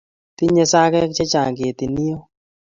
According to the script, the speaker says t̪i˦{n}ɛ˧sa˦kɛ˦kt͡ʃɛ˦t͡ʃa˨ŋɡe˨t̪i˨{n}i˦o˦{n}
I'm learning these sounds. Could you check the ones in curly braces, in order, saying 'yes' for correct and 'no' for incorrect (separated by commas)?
no, yes, no